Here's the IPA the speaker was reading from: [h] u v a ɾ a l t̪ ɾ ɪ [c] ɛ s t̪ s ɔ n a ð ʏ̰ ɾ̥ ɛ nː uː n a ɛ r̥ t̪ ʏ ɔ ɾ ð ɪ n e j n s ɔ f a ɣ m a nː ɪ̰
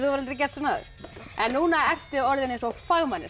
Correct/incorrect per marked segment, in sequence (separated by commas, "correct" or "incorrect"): incorrect, correct